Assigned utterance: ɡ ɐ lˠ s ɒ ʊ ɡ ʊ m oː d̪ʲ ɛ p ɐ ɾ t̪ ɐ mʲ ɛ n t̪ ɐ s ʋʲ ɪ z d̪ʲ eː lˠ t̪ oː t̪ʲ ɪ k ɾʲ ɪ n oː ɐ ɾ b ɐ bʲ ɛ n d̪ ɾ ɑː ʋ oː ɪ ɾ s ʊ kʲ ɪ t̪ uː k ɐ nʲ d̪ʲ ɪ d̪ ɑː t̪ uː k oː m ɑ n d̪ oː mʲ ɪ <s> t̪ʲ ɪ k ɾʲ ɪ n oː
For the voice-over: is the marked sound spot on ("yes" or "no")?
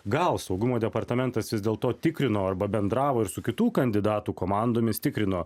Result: yes